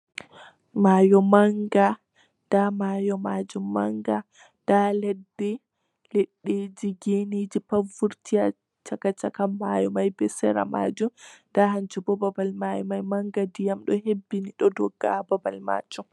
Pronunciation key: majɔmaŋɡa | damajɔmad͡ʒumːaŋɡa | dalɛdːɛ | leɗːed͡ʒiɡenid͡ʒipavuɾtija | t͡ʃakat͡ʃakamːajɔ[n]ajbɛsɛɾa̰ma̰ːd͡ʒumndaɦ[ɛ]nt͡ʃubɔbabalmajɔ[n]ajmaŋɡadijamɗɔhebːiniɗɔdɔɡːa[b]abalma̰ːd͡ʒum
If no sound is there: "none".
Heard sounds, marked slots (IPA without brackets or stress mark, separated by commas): m, a, m, b